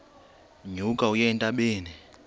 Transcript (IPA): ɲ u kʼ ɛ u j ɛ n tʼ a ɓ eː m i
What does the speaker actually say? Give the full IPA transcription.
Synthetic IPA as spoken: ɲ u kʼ a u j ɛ n tʼ a ɓ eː n i